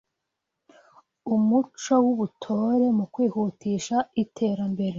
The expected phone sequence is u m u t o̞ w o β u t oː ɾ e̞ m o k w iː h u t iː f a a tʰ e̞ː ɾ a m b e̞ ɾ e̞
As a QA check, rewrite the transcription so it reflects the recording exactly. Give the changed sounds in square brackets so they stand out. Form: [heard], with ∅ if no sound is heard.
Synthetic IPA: u m u [t͡ʃ] o̞ w [u] β u [tʰ] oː ɾ e̞ m [u] k w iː h u t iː [ʃ] a [i] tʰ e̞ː ɾ a m b e̞ ɾ e̞